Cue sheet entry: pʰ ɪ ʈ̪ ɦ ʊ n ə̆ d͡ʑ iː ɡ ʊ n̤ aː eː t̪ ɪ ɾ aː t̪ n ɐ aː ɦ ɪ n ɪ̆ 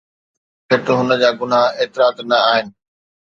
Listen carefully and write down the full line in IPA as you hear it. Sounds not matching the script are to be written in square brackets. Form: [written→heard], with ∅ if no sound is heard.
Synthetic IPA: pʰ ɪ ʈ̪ ɦ ʊ n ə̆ d͡ʑ [iː→aː] ɡ ʊ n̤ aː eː t̪ ɪ ɾ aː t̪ n ɐ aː ɦ ɪ n ɪ̆